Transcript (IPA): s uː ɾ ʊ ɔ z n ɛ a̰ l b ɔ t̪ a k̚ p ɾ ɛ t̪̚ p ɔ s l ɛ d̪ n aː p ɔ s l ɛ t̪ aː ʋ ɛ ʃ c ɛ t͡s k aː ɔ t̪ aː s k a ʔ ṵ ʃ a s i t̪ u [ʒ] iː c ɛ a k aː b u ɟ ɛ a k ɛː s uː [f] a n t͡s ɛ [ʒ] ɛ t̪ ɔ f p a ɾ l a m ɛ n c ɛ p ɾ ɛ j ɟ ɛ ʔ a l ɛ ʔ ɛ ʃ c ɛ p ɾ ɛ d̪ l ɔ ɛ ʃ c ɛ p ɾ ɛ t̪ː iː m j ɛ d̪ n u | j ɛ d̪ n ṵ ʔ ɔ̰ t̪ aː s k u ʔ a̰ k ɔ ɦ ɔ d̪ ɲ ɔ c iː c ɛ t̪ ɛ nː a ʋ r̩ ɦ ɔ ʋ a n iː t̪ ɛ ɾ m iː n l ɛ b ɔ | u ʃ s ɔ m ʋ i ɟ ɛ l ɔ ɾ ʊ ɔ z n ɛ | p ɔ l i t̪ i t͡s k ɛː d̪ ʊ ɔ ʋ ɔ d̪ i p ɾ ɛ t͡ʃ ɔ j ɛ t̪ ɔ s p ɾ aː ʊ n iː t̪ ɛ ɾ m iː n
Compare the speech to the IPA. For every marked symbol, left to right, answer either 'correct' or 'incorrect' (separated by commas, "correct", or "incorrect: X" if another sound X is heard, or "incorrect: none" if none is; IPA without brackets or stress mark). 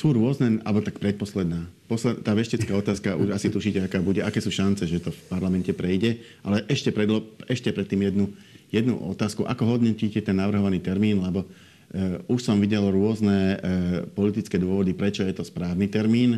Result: incorrect: ʃ, incorrect: ʃ, correct